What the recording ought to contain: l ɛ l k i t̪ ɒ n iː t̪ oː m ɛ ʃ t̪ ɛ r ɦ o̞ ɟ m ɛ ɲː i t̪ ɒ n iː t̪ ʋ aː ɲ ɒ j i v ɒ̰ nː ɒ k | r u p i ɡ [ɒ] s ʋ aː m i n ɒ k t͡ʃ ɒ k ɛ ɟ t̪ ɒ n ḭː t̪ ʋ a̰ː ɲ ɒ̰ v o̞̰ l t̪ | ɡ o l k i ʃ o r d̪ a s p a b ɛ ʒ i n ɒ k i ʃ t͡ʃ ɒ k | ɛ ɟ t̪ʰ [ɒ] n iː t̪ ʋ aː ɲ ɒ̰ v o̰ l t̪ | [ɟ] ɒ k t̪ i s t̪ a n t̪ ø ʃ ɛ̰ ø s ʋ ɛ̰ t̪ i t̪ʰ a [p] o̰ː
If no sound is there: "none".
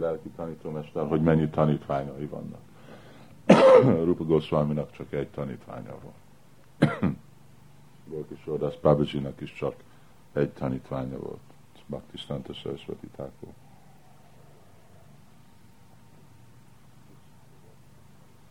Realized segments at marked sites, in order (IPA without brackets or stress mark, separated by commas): o, ɒ, b, k